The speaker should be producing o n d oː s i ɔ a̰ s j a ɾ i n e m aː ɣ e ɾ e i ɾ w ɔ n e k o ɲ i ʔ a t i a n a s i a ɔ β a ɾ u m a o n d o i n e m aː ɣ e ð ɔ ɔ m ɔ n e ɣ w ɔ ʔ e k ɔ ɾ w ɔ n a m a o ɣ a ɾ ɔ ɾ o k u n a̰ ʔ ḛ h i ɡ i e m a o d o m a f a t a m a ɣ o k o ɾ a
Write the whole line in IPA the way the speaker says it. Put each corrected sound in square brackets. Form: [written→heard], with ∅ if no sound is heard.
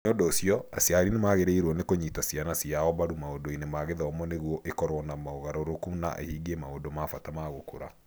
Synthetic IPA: o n d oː s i ɔ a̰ s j a ɾ i n e m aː ɣ e ɾ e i ɾ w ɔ n e k o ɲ i [ʔ→t] a [t→s] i a n a s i a ɔ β a ɾ u m a o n d o i n e m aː ɣ e ð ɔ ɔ m ɔ n e ɣ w ɔ ʔ e k ɔ ɾ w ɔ n a m a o ɣ a ɾ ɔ ɾ o k u n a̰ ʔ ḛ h i ɡ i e m a o d o m a f a t a m a ɣ o k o ɾ a